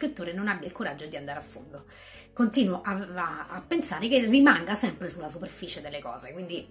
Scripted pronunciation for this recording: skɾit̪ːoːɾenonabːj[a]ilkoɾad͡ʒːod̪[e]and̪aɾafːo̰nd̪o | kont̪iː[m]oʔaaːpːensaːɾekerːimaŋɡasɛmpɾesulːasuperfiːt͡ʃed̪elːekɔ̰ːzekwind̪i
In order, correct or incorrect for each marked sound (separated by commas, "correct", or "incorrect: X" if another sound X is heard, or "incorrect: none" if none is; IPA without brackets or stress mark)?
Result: correct, incorrect: i, incorrect: n